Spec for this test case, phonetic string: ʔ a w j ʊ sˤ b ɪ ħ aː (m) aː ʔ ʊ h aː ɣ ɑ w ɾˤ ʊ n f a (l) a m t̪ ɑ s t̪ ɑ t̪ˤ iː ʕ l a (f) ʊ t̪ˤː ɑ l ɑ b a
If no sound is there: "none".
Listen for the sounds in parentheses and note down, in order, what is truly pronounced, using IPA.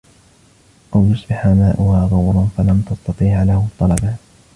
m, l, h

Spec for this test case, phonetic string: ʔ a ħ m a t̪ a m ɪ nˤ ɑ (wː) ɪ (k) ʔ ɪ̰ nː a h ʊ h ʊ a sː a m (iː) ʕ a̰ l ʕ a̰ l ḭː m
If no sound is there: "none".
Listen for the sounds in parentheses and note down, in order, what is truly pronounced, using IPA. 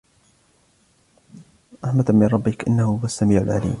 bː, k, iː

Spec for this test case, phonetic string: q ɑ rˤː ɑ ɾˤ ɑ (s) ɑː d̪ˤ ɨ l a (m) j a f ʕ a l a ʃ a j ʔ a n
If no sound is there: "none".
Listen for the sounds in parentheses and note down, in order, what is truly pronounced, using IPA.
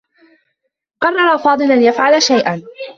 f, n

